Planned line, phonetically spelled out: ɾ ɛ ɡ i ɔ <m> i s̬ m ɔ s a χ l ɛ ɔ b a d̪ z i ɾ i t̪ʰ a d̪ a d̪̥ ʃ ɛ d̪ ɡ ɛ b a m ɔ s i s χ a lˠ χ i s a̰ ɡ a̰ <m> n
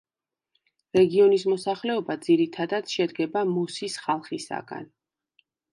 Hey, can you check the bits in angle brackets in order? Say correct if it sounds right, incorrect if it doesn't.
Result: incorrect: n, incorrect: none

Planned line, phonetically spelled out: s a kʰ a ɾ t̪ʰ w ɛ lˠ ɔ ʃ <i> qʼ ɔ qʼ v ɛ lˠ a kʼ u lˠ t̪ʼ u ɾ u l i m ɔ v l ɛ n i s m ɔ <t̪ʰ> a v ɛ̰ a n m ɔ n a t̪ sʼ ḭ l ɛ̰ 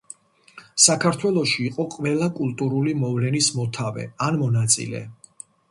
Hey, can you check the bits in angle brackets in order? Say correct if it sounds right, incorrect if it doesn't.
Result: incorrect: iː, correct

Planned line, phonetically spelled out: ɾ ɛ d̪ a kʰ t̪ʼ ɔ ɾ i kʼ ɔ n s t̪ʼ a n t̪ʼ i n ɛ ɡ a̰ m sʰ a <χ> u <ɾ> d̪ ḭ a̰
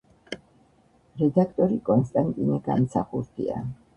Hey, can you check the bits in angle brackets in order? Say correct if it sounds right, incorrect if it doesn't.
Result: correct, correct

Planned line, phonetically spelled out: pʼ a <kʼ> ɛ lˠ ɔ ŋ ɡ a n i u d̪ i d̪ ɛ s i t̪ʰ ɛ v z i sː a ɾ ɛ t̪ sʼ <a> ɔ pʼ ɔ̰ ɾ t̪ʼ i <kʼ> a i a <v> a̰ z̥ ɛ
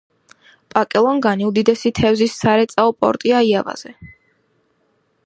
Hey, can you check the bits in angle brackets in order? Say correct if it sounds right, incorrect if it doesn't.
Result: correct, correct, incorrect: none, correct

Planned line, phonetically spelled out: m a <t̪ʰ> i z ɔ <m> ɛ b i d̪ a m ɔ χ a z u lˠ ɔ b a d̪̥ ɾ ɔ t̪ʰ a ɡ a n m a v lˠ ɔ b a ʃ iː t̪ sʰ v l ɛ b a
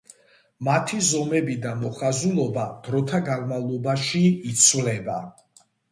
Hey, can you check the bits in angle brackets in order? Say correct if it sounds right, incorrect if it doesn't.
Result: correct, correct

